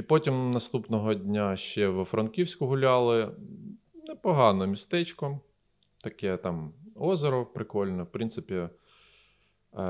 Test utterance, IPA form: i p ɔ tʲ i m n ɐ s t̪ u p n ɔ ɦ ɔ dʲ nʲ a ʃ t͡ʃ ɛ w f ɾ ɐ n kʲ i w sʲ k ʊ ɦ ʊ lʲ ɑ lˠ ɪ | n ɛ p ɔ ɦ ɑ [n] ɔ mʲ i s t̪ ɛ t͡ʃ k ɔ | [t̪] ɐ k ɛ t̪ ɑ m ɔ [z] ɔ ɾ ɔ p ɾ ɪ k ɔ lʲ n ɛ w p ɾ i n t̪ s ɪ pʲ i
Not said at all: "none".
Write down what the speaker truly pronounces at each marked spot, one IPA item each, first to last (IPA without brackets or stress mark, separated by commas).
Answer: n, t̪, z